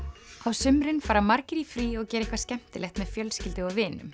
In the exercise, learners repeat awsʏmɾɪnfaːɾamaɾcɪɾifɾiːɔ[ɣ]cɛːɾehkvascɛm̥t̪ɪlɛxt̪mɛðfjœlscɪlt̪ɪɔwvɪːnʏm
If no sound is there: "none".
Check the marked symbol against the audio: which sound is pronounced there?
ɣ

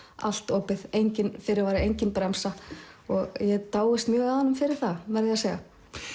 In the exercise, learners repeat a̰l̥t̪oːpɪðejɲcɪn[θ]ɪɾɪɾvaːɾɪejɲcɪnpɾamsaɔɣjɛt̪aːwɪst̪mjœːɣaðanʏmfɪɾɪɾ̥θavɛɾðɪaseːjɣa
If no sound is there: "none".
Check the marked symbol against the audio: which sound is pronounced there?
f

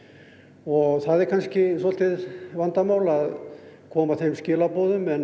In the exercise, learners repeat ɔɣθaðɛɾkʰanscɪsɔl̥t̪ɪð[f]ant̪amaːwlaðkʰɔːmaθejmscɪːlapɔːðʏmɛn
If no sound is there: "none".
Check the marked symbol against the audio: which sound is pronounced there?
v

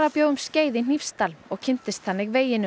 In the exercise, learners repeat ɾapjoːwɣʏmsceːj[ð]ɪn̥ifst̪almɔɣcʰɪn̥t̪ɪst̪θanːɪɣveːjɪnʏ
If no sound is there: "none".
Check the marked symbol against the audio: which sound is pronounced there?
ð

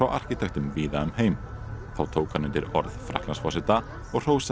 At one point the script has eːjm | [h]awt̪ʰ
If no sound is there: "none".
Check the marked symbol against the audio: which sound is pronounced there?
θ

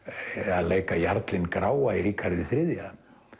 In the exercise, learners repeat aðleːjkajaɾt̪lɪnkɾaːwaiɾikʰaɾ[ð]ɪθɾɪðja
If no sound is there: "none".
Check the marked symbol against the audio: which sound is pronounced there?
ð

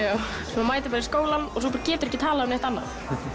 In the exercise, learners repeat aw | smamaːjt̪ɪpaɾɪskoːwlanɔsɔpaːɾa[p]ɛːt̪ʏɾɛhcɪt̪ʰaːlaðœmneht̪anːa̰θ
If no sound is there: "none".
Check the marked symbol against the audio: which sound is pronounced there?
c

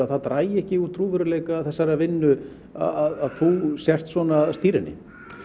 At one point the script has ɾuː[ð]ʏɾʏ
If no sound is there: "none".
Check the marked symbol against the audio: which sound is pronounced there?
v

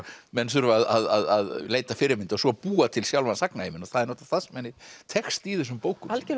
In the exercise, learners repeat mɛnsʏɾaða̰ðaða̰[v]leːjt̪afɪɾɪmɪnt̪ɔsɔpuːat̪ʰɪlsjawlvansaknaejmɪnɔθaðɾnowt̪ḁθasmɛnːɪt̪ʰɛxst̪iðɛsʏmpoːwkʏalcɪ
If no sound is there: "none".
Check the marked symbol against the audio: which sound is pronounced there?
ð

